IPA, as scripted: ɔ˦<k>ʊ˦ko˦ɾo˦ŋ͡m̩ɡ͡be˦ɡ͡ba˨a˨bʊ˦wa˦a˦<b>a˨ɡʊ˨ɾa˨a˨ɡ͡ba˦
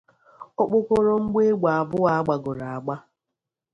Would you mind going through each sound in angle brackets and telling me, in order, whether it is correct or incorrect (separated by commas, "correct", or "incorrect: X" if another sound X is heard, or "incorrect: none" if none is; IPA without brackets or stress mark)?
incorrect: k͡p, incorrect: ɡ͡b